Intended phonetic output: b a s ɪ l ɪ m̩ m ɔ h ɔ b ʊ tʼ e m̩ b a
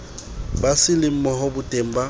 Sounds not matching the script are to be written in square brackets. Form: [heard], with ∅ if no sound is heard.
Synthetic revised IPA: b a s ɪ l ɪ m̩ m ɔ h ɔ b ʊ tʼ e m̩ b a